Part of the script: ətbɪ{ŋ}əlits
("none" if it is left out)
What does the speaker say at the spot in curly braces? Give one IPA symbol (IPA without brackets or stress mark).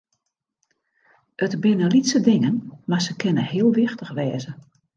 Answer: n